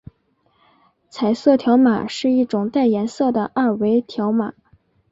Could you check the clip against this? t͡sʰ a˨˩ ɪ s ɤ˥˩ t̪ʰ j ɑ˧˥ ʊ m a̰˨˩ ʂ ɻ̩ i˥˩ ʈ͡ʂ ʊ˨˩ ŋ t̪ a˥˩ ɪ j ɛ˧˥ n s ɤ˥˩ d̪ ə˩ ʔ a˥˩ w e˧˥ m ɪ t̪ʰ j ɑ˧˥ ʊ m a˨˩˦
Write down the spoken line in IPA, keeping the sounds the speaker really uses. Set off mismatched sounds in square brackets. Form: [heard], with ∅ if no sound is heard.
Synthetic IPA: t͡sʰ a˨˩ ɪ s ɤ˥˩ t̪ʰ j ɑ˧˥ ʊ m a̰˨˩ ʂ ɻ̩ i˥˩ ʈ͡ʂ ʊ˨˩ ŋ t̪ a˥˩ ɪ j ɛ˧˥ n s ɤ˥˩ d̪ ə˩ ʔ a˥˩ w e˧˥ [∅] ɪ t̪ʰ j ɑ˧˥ ʊ m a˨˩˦

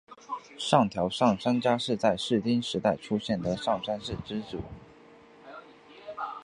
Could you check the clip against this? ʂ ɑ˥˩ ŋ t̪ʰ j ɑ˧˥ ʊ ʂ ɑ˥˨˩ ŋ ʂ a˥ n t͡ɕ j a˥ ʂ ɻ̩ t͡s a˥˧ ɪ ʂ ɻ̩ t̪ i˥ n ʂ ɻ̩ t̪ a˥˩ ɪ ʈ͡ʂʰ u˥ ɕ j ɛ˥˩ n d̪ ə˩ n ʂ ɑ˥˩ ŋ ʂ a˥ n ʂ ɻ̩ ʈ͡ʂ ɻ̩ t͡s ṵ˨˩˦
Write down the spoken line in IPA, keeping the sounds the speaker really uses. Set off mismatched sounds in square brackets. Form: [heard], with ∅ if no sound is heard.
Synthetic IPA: ʂ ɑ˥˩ ŋ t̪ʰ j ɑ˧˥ ʊ ʂ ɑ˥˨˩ ŋ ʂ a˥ n t͡ɕ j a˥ ʂ ɻ̩ t͡s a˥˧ ɪ ʂ ɻ̩ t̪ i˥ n ʂ ɻ̩ t̪ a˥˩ ɪ ʈ͡ʂʰ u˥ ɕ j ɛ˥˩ n d̪ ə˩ [∅] ʂ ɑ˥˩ ŋ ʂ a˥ n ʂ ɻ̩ ʈ͡ʂ ɻ̩ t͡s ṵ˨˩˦

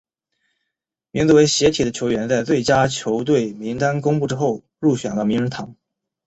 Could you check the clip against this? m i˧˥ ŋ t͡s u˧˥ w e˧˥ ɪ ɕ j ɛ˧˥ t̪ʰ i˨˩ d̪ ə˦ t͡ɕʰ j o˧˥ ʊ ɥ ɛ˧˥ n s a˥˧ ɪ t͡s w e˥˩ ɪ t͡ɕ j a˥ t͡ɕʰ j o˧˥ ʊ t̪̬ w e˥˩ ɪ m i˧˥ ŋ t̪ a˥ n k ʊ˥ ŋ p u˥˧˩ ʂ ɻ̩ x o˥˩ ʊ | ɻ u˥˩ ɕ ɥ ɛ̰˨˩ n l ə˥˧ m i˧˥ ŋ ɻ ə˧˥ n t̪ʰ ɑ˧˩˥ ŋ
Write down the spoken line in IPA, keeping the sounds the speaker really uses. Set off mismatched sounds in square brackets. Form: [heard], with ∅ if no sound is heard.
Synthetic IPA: m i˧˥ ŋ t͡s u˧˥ w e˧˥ ɪ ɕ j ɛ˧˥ t̪ʰ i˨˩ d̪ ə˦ t͡ɕʰ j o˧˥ ʊ ɥ ɛ˧˥ n [t͡s] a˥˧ ɪ t͡s w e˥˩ ɪ t͡ɕ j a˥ t͡ɕʰ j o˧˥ ʊ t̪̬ w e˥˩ ɪ m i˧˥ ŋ t̪ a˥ n k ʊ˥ ŋ p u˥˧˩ [ʈ͡ʂ] ɻ̩ x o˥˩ ʊ | ɻ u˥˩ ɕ ɥ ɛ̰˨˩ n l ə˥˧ m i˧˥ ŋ ɻ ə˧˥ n t̪ʰ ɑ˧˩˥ ŋ

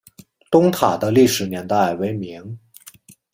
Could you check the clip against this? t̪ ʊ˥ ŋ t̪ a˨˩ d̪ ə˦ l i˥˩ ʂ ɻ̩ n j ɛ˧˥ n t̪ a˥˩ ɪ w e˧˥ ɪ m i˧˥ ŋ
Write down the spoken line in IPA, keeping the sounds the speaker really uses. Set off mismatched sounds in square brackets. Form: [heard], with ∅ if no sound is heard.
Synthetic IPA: t̪ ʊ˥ ŋ [t̪ʰ] a˨˩ d̪ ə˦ l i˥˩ ʂ ɻ̩ n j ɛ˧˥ n t̪ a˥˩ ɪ w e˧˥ ɪ m i˧˥ ŋ

